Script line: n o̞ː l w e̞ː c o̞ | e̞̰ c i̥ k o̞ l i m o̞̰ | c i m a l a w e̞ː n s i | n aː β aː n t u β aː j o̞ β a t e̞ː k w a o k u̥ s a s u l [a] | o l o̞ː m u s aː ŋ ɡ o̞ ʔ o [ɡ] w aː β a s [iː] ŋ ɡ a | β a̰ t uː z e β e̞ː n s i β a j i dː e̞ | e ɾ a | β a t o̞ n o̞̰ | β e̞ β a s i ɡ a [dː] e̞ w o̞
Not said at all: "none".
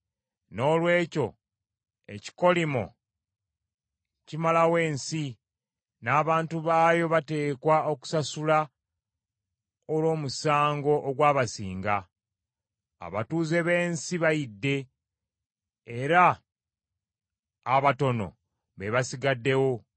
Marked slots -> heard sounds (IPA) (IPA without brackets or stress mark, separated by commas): a, ɡ, iː, dː